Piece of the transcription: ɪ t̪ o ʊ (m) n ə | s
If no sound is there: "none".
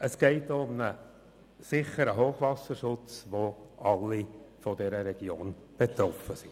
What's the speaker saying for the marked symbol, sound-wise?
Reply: m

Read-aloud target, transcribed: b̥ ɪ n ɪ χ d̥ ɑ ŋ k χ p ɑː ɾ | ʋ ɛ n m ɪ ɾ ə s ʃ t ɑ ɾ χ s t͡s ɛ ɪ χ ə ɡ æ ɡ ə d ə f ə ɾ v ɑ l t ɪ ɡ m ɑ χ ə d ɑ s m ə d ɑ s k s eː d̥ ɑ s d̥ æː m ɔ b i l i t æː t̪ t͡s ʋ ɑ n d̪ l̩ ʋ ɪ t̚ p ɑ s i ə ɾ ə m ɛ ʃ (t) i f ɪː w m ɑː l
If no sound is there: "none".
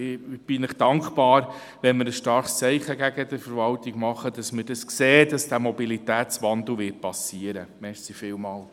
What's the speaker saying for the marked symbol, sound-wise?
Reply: s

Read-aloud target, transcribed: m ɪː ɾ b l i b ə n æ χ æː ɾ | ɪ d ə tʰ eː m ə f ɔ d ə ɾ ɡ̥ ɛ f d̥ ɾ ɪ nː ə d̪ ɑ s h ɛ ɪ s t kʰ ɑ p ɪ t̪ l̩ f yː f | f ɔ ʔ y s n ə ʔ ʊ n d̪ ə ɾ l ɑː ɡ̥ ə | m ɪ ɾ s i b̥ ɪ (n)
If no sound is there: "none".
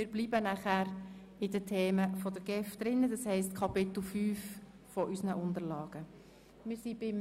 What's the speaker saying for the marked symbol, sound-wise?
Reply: m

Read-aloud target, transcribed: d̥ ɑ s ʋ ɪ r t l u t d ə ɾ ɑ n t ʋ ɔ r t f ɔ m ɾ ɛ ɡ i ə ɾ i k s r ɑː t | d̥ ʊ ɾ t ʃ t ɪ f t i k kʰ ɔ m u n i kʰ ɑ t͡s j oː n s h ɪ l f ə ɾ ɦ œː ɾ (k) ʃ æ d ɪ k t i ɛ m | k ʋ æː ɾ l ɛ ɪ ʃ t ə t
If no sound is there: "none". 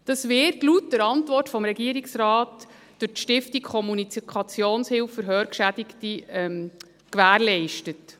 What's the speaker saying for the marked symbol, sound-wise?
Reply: k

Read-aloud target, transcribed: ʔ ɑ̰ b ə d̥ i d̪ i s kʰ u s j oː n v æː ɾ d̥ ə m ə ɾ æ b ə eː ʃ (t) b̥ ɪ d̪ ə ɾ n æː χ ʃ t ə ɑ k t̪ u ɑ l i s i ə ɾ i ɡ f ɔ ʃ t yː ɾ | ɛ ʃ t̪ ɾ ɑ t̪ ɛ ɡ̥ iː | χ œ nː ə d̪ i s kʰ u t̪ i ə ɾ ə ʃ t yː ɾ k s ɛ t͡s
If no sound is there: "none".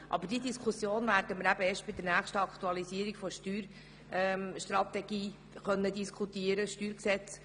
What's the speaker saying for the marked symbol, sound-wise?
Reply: t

